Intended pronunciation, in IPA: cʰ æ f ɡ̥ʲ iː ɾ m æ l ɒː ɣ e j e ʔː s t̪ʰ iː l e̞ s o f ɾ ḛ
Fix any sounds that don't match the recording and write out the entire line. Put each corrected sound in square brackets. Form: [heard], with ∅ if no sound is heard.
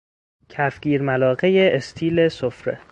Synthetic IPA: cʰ æ f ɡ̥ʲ iː ɾ m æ l ɒː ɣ e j e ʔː s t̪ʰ iː l e̞ s o f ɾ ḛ